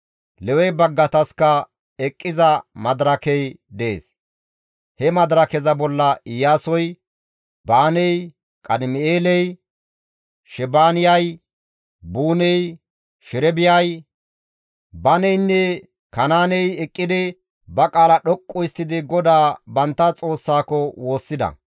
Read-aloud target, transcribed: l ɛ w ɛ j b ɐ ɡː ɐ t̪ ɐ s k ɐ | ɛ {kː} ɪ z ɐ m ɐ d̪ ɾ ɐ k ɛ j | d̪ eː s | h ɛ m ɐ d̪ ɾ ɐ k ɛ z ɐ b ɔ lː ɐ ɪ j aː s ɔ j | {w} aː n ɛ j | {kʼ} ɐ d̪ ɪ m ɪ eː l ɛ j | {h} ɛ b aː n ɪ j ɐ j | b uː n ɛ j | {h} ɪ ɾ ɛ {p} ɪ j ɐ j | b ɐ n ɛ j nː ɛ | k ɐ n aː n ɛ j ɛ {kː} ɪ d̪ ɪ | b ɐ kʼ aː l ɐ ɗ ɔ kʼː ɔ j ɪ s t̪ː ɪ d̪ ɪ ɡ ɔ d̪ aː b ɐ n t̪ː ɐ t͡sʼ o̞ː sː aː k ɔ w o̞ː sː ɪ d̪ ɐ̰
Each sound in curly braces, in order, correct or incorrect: incorrect: kʼː, incorrect: b, correct, incorrect: ʃ, incorrect: ʃ, incorrect: b, incorrect: kʼː

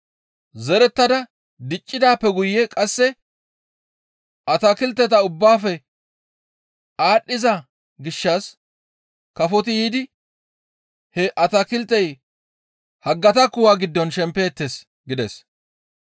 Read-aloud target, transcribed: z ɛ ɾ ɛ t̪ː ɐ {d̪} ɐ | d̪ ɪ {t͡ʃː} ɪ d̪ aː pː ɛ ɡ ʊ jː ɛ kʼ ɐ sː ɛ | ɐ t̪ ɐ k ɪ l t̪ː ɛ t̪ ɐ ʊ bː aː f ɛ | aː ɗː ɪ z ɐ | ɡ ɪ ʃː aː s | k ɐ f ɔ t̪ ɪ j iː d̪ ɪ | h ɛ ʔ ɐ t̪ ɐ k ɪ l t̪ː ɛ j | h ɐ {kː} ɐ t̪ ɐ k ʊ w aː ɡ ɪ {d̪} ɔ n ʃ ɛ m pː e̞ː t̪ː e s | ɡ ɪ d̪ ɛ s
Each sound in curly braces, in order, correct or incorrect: correct, incorrect: t͡ʃʼː, incorrect: ɡː, incorrect: d̪ː

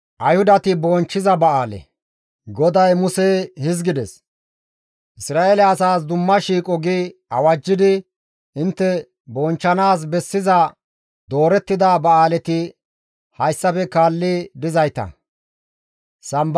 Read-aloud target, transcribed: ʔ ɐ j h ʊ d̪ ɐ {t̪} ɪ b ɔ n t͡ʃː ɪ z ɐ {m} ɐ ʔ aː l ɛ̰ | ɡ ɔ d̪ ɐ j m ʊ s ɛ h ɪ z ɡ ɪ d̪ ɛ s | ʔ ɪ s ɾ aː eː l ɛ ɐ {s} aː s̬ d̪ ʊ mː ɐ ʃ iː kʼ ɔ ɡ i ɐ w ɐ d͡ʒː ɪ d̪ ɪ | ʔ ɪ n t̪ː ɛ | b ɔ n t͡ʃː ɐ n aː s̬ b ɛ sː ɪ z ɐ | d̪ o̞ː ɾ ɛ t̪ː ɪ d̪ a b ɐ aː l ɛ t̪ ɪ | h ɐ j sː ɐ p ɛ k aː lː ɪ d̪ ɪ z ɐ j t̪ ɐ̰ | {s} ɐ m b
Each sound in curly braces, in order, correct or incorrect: correct, incorrect: b, correct, correct

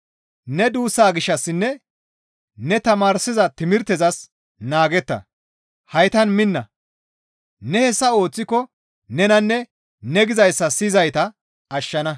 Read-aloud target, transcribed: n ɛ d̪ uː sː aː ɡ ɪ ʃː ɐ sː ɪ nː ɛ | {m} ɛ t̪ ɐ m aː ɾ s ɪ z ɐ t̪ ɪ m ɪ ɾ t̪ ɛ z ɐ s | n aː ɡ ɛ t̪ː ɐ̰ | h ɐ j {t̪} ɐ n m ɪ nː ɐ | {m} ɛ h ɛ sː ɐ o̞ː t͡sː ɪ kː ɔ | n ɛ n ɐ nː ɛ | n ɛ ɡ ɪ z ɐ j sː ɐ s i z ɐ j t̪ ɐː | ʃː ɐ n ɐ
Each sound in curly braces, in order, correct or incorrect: incorrect: n, correct, incorrect: n

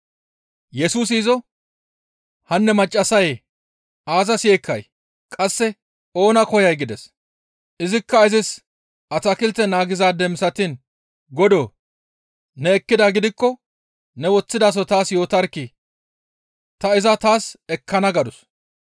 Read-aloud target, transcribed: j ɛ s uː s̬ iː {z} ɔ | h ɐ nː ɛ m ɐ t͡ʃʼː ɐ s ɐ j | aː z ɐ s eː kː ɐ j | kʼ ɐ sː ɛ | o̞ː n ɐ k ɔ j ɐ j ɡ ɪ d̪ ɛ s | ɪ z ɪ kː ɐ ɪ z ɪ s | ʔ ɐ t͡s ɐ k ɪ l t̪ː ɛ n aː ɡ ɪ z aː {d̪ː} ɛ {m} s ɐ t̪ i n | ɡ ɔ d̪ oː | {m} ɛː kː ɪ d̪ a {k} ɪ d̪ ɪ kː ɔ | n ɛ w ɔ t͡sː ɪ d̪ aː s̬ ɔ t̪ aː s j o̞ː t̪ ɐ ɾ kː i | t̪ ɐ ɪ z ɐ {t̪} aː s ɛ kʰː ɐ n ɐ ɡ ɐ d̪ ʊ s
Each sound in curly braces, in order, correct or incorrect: correct, incorrect: d̪, correct, incorrect: n, incorrect: ɡ, correct

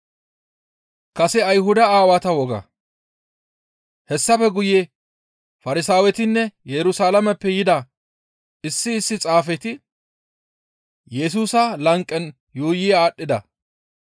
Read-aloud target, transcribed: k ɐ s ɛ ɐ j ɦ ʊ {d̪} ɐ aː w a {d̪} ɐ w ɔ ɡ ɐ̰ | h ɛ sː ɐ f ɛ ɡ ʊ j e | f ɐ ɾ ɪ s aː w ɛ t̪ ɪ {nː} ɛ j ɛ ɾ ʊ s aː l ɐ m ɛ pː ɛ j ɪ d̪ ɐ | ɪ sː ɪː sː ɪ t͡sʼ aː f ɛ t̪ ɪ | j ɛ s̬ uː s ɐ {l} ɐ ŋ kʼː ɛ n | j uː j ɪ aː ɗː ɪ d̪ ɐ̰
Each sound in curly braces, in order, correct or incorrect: correct, incorrect: t̪, correct, correct

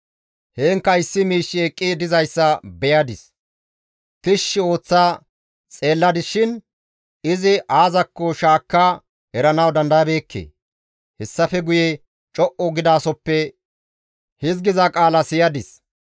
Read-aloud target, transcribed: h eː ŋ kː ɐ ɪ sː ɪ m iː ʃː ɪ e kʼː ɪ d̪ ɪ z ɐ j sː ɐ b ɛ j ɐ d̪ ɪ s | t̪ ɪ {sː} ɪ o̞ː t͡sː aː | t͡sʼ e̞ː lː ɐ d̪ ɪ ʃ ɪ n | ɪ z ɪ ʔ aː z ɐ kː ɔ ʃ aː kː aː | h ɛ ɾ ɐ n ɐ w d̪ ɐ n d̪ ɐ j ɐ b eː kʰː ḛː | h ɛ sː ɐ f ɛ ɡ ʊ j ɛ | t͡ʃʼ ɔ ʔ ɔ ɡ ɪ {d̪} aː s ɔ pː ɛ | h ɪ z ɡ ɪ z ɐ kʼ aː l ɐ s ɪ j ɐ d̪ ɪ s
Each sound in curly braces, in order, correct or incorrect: incorrect: ʃː, correct

